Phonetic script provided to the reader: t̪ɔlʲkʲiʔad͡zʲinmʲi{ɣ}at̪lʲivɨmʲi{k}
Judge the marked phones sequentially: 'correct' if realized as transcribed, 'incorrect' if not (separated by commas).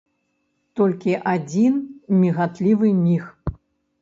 correct, incorrect